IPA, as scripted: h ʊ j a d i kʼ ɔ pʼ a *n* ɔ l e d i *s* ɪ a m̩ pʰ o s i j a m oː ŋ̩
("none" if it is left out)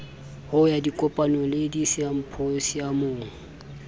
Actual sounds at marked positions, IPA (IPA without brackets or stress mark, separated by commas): n, s